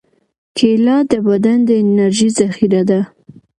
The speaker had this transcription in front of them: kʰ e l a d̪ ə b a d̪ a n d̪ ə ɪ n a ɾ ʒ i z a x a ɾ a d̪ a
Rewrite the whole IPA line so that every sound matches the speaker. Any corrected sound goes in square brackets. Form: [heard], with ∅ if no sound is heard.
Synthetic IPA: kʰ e l [ɑ] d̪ ə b a d̪ a n d̪ ə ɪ n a ɾ ʒ i z a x [i] ɾ a d̪ a